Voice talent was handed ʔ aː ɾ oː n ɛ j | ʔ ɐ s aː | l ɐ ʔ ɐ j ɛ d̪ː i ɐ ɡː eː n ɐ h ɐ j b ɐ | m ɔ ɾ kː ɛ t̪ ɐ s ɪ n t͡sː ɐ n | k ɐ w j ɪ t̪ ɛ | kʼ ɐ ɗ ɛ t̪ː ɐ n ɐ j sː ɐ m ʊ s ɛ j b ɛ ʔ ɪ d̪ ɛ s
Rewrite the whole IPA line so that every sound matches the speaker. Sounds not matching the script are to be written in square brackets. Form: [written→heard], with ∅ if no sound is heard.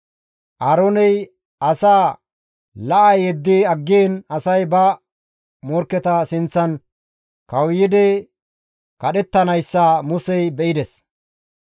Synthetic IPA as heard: ʔ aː ɾ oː n ɛ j | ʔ ɐ s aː | l ɐ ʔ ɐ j ɛ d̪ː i ɐ ɡː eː n ɐ [h→s] ɐ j b ɐ | m ɔ ɾ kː ɛ t̪ ɐ s ɪ n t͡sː ɐ n | k ɐ w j ɪ [t̪→d̪] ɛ | [kʼ→k] ɐ ɗ ɛ t̪ː ɐ n ɐ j sː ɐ m ʊ s ɛ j b ɛ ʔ ɪ d̪ ɛ s